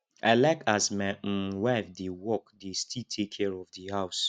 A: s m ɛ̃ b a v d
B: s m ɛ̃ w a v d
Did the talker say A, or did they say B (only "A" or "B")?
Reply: B